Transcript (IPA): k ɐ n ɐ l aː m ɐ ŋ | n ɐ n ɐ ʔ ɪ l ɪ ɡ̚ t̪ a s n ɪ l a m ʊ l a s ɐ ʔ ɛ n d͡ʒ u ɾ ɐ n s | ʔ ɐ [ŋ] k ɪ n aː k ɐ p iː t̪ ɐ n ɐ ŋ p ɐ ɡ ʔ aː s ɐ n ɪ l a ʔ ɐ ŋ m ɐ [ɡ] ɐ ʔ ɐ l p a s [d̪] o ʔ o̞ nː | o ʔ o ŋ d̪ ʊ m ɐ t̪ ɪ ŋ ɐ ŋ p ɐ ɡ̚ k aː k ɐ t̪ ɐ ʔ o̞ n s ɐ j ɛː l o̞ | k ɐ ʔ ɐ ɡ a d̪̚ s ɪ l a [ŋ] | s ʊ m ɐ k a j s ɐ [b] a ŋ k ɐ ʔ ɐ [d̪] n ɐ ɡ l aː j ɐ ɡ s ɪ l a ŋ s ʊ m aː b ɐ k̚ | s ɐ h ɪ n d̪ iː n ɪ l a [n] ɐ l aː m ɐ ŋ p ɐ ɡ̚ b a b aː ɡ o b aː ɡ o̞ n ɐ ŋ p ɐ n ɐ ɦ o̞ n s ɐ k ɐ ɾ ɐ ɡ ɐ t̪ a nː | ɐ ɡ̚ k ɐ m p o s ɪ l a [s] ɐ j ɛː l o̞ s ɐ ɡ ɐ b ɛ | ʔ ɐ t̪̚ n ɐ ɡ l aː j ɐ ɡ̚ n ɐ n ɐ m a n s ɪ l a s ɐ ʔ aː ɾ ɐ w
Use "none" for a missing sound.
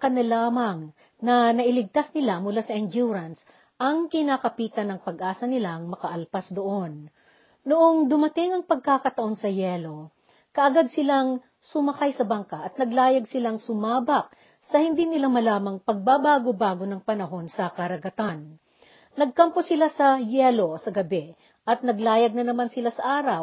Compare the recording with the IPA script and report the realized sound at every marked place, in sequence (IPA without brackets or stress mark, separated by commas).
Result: ŋ, k, d̪, ŋ, b, t̪, m, s